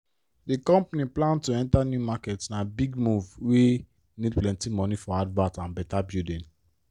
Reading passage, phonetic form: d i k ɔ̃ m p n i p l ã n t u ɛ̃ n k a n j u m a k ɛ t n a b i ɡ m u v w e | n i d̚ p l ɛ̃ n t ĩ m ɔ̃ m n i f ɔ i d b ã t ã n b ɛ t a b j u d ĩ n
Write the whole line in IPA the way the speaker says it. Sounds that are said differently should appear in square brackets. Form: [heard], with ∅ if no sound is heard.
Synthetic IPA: d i k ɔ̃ m p n i p l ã n t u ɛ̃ n [t] a n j u m a k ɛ t n a b i ɡ m u v w e | n i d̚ p l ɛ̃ n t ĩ m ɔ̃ [∅] n i f ɔ [a] d [v] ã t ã n b ɛ t a b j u d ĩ n